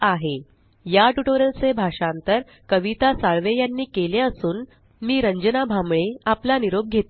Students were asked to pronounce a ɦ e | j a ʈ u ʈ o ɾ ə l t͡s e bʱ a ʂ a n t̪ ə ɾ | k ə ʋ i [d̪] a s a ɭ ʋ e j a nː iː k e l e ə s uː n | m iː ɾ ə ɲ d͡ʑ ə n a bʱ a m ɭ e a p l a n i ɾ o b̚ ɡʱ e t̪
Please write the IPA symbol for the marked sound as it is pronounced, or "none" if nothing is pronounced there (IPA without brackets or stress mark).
t̪